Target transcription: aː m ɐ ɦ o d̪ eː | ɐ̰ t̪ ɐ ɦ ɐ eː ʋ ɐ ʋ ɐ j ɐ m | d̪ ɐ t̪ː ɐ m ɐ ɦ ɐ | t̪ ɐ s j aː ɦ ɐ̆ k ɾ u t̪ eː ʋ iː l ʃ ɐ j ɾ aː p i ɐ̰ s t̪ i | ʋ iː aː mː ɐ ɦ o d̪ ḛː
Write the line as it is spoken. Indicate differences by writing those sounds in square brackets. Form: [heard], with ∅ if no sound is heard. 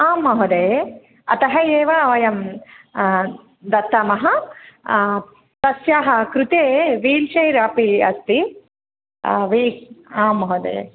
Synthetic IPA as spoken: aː m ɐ ɦ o d̪ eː | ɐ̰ t̪ ɐ ɦ ɐ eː ʋ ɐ ʋ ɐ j ɐ m | d̪ ɐ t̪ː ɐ m ɐ ɦ ɐ | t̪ ɐ s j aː ɦ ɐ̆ k ɾ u t̪ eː ʋ iː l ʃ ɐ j ɾ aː p i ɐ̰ s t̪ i | ʋ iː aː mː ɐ ɦ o d̪ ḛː